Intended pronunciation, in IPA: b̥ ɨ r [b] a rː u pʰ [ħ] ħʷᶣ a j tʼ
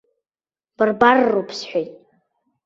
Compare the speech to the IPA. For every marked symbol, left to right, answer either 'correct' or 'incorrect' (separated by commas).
correct, incorrect